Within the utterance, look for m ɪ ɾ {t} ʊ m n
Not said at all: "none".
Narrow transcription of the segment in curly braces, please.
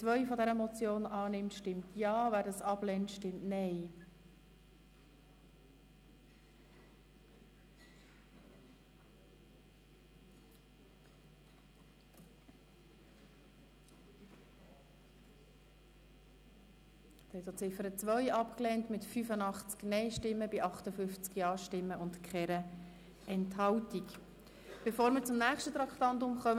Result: t͡s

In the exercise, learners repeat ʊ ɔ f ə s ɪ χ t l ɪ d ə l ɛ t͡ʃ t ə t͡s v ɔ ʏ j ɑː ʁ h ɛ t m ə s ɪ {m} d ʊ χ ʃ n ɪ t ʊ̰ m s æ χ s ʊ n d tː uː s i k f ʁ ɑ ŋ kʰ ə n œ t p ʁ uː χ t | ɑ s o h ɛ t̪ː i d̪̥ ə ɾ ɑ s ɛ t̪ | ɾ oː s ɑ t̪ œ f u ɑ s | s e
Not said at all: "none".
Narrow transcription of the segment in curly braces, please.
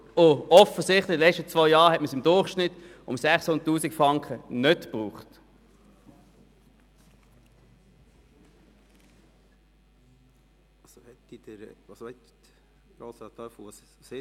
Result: m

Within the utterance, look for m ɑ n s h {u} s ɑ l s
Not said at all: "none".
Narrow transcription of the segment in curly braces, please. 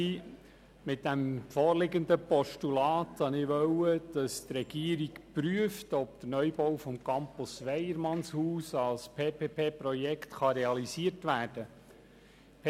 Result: uː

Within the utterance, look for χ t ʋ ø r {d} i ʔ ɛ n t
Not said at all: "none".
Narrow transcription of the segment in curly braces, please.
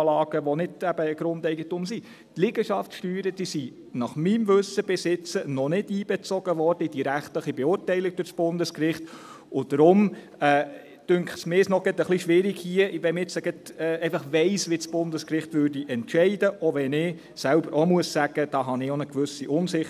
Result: d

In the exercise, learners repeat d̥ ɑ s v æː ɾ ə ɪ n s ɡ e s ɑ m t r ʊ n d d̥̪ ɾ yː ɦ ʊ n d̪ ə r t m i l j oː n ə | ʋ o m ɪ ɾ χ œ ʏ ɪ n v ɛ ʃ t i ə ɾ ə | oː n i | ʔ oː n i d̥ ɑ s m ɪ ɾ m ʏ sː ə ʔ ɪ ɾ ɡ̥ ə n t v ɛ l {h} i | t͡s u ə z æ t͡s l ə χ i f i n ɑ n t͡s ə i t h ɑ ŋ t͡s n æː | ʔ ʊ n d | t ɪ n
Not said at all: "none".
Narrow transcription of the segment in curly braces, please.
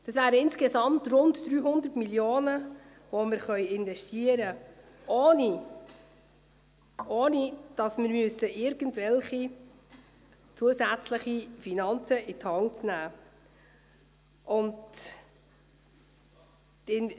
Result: χ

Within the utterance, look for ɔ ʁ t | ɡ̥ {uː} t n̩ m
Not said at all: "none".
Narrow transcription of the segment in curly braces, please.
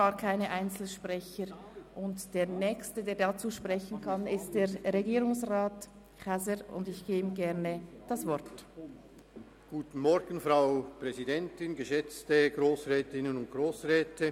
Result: uː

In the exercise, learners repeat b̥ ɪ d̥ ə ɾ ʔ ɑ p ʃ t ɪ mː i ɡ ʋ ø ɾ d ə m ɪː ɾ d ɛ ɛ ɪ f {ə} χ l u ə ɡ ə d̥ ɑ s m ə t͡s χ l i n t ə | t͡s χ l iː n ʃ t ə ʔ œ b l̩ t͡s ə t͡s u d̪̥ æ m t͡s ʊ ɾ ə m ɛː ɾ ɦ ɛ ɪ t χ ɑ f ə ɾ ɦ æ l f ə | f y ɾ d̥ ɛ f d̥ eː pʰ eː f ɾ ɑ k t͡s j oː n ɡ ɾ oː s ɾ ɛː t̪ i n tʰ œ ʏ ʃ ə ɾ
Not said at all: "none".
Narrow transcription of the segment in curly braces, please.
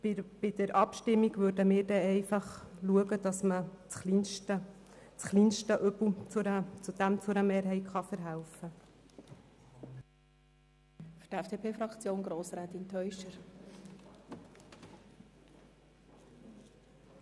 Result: ɑ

